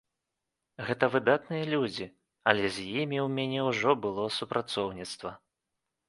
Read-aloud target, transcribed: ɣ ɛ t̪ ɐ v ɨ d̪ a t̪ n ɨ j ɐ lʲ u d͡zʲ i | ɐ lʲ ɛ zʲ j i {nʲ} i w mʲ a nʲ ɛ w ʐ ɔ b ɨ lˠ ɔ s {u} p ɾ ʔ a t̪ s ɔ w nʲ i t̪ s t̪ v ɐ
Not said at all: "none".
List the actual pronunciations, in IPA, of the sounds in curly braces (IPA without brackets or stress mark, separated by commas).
mʲ, u